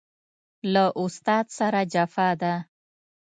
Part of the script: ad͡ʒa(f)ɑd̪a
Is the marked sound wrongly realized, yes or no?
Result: no